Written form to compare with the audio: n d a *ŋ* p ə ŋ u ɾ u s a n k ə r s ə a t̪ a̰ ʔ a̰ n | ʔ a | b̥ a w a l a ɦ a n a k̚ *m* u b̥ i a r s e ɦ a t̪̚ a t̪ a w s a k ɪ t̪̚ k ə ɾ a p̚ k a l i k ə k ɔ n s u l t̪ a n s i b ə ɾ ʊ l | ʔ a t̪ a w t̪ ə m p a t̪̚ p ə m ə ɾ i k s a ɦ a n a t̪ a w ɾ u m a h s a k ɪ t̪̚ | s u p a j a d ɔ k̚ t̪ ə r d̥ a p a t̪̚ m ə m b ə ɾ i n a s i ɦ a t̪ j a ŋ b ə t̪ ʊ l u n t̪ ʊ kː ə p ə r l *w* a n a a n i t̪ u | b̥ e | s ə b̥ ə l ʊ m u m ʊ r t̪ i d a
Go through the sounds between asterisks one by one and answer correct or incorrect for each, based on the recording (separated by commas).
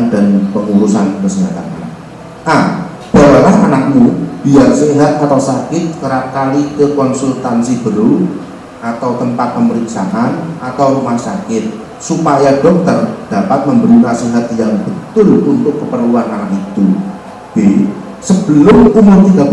incorrect, correct, incorrect